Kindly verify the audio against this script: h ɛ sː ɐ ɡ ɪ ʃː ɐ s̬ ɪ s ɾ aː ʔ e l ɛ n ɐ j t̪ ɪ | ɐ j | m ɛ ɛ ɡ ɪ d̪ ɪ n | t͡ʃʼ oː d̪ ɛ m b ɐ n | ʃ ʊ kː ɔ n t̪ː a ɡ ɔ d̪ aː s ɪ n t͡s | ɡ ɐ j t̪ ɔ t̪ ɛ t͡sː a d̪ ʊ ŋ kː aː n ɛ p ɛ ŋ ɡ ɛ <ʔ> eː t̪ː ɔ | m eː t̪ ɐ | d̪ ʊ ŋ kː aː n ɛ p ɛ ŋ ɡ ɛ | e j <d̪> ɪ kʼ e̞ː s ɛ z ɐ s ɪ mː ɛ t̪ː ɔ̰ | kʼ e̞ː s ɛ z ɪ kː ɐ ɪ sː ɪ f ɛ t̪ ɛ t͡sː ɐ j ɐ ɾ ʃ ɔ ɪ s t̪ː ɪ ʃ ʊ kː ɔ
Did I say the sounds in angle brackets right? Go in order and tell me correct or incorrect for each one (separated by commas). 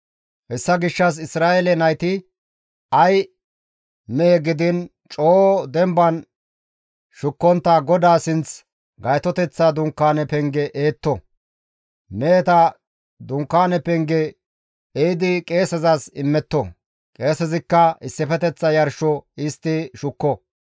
correct, correct